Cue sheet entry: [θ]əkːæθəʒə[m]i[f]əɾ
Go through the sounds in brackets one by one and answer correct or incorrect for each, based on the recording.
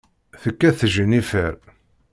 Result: correct, incorrect, correct

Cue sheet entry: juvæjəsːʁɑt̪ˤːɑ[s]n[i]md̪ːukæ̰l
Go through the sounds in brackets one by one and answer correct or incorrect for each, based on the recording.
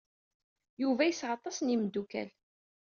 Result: correct, correct

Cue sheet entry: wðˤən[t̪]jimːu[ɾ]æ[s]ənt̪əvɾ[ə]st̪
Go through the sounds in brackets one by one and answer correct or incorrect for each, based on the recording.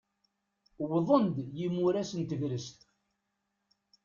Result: incorrect, correct, correct, correct

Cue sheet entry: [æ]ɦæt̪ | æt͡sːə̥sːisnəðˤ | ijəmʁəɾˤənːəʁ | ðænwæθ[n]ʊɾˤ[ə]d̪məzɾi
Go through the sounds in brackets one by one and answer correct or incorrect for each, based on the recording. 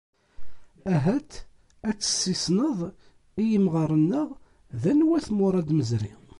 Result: correct, incorrect, incorrect

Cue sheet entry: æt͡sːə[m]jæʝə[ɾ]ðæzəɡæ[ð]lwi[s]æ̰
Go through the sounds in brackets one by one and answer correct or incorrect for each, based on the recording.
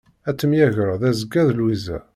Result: correct, correct, correct, incorrect

